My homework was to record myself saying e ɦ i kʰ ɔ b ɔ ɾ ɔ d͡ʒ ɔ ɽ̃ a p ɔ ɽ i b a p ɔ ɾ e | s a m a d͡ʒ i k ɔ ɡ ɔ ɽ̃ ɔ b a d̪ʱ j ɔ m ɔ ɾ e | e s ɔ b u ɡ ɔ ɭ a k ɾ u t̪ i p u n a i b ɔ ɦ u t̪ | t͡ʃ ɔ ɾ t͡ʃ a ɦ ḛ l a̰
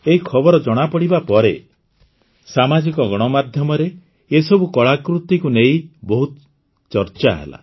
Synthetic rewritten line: e ɦ i kʰ ɔ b ɔ ɾ ɔ d͡ʒ ɔ ɽ̃ a p ɔ ɽ i b a p ɔ ɾ e | s a m a d͡ʒ i k ɔ ɡ ɔ ɽ̃ ɔ m a d̪ʱ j ɔ m ɔ ɾ e | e s ɔ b u k ɔ ɭ a k ɾ u t̪ i k u n e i b ɔ ɦ u t̪ | t͡ʃ ɔ ɾ t͡ʃ a ɦ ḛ l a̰